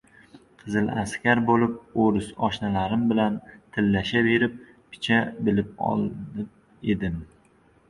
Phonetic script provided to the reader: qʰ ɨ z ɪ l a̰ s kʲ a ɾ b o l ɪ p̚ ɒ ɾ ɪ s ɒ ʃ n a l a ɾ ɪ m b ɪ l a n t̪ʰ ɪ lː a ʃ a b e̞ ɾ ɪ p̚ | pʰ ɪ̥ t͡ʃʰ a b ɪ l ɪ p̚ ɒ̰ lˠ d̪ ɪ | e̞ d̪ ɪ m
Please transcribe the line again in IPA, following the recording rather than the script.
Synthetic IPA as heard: qʰ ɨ z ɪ l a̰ s kʲ a ɾ b o l ɪ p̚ o ɾ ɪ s ɒ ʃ n a l a ɾ ɪ m b ɪ l a n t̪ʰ ɪ lː a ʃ a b e̞ ɾ ɪ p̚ | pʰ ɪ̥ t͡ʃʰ a b ɪ l ɪ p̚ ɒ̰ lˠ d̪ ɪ | e̞ d̪ ɪ m